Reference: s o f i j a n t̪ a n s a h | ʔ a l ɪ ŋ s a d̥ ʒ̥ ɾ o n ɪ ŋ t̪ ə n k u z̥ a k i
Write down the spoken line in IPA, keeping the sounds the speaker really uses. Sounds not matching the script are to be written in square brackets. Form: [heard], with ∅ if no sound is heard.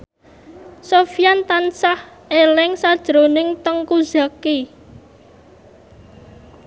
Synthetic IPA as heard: s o f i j a n t̪ a n s a h | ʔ [e] l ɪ ŋ s a d̥ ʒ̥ ɾ o n ɪ ŋ t̪ ə [ŋ] k u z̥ a k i